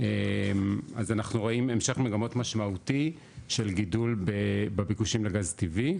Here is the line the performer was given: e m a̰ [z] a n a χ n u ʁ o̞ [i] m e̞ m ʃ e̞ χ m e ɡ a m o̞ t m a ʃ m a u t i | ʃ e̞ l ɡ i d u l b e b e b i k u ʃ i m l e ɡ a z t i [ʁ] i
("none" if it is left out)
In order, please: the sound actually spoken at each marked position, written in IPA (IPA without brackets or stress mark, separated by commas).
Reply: z, i, v